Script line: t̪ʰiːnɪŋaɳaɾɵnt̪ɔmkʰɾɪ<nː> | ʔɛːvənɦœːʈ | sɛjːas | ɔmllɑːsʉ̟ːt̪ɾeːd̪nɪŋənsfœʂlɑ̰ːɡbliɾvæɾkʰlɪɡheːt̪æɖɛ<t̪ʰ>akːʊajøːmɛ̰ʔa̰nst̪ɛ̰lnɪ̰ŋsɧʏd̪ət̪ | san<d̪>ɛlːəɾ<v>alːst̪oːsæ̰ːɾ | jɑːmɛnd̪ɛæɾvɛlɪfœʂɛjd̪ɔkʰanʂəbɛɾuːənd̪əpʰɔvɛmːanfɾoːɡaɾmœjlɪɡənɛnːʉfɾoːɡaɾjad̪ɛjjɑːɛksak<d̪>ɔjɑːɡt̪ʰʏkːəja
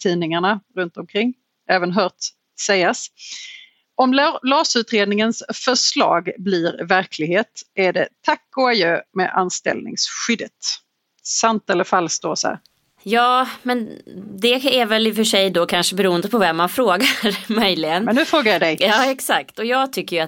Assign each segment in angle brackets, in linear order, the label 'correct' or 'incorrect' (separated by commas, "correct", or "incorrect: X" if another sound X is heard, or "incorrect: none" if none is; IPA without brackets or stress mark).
incorrect: ŋː, correct, incorrect: t̪, incorrect: f, incorrect: t̪